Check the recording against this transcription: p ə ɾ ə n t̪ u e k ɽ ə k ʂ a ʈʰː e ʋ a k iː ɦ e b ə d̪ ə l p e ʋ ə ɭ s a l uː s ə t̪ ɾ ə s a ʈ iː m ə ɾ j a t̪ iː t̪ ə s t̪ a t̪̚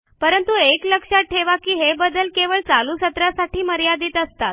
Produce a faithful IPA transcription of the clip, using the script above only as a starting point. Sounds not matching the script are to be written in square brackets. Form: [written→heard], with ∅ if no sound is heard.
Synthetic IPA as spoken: p ə ɾ ə n t̪ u e k [ɽ→l] ə k ʂ a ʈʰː e ʋ a k iː ɦ e b ə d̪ ə l [p→k] e ʋ ə ɭ [s→t͡s] a l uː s ə t̪ ɾ [ə→a] s a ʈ iː m ə ɾ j a [t̪→d̪] iː t̪ ə s t̪ a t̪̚

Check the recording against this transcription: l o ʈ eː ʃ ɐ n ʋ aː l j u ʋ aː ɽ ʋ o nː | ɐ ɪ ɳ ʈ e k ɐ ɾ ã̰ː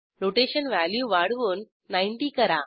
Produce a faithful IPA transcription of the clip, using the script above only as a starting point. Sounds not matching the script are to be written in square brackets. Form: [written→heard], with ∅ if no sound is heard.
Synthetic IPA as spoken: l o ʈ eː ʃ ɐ n ʋ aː l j u ʋ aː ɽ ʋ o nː | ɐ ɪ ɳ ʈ [e→i] k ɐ ɾ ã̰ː

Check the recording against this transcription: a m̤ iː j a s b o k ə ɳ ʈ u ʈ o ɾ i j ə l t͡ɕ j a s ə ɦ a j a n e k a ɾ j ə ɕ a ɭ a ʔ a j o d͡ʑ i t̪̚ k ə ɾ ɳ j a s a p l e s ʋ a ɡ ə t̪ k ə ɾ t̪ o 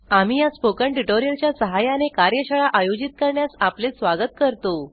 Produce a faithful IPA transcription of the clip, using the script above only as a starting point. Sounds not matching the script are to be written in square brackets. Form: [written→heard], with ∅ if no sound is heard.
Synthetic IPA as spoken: a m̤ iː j a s [b→p] o k ə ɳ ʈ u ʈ o ɾ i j ə l t͡ɕ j a s ə ɦ a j a n e k a ɾ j ə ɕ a ɭ a ʔ a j o d͡ʑ i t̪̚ k ə ɾ ɳ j a s a p l e s ʋ a ɡ ə t̪ k ə ɾ t̪ o

